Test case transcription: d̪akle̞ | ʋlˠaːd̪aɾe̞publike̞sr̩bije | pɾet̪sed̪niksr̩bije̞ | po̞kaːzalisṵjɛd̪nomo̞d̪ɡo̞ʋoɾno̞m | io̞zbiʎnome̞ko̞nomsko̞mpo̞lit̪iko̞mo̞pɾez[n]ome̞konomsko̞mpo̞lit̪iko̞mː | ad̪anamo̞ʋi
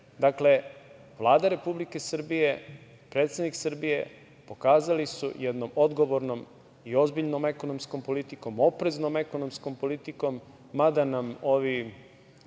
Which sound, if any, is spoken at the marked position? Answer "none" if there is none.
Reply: n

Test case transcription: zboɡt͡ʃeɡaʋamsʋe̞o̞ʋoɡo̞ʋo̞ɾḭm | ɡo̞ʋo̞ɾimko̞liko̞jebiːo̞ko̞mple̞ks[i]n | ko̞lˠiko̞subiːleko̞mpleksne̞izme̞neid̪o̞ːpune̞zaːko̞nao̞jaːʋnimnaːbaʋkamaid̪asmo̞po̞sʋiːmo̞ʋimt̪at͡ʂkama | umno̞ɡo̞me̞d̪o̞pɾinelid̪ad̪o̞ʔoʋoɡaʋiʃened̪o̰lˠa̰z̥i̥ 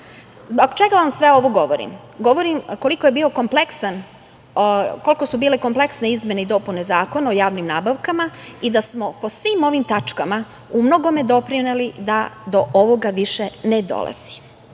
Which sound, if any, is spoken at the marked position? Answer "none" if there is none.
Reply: a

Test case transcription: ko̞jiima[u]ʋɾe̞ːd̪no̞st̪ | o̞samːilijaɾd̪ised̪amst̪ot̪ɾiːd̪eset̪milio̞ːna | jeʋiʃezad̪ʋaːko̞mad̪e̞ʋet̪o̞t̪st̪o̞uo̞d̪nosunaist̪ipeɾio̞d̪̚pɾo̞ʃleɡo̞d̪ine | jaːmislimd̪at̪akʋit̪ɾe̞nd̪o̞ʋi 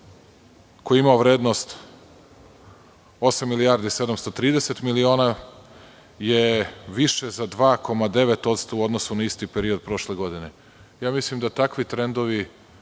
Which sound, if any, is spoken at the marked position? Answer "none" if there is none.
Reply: o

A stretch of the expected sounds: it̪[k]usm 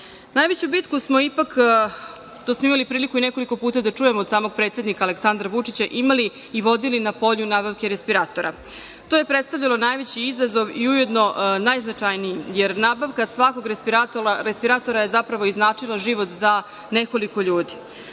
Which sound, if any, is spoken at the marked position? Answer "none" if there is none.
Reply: k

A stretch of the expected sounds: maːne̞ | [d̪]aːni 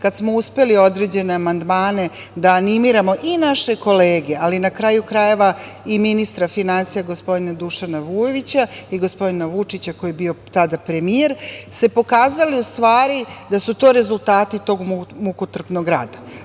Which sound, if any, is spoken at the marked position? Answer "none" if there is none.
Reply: d̪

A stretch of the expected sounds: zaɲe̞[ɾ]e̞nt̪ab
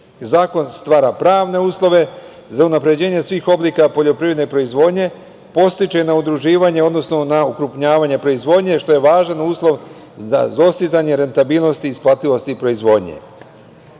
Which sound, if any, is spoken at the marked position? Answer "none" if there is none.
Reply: ɾ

